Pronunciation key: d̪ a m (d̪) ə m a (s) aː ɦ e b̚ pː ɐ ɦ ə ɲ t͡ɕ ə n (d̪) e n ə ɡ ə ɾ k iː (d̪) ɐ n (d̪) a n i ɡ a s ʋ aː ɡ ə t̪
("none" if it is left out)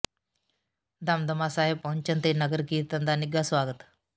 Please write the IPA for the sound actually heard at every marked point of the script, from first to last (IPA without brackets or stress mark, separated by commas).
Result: d̪, s, t̪, t̪, d̪